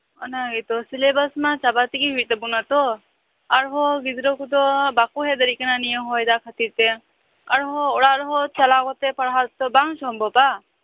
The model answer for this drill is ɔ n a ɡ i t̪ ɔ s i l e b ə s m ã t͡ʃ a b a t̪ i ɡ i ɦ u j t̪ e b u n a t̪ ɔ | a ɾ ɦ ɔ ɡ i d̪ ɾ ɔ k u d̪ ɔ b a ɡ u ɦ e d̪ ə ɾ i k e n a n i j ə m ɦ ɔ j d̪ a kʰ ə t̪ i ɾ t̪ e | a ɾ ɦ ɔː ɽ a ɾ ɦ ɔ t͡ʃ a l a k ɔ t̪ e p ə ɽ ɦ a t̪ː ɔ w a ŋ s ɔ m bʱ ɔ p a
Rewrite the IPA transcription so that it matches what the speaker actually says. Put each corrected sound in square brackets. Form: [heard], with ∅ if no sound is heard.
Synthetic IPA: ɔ n a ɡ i t̪ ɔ s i l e b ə s m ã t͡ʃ a b a t̪ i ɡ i ɦ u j t̪ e b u n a t̪ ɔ | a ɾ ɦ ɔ ɡ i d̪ ɾ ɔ k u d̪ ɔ b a [k] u ɦ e d̪ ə ɾ i k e n a n i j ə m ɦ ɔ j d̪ a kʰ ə t̪ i ɾ t̪ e | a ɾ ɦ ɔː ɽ a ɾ ɦ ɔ t͡ʃ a l a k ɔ t̪ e p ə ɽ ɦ a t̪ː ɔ [b] a ŋ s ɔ m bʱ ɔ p a